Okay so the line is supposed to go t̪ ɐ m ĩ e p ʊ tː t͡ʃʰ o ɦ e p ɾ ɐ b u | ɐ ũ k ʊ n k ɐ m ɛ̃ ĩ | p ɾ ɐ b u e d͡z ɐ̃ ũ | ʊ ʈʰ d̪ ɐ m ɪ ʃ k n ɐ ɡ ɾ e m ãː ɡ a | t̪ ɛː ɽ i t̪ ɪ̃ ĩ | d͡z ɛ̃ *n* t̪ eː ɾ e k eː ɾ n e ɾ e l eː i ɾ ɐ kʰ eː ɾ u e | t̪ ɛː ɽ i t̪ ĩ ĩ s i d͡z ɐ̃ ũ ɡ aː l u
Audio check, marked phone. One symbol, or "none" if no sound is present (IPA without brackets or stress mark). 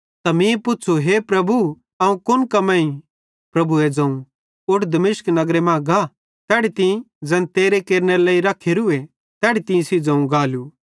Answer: n